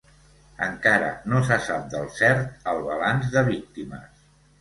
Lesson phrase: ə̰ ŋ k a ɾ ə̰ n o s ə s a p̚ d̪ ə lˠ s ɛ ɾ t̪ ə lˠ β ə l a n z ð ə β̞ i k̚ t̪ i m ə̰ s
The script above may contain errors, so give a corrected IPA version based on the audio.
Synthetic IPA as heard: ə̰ ŋ k a ɾ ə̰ n o s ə s a p̚ d̪ ə lˠ s ɛ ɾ t̪ ə lˠ β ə l a n z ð ə β̞ i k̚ t̪ i m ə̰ s